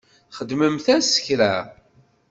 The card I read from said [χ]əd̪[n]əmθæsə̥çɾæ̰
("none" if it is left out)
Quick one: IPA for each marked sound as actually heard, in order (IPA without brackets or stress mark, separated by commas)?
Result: χ, m